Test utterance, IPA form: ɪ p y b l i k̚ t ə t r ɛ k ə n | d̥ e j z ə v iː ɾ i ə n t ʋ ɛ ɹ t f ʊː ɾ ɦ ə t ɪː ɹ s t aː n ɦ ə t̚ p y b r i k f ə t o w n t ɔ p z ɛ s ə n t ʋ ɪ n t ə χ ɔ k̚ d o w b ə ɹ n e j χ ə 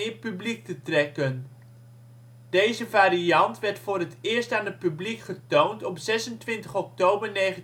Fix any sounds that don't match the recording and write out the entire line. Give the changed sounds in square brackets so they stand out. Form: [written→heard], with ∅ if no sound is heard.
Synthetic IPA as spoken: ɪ p y b l i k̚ t ə t r ɛ k ə n | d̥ e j z ə v [iː→aː] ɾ i [ə→ɑ] n t ʋ ɛ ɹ t f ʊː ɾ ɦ ə t ɪː ɹ s t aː n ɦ ə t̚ p y b [r→l] i k [f→χ] ə t o w n t ɔ p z ɛ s ə n t ʋ ɪ n t ə χ ɔ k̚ [d→t] o w b ə ɹ n e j χ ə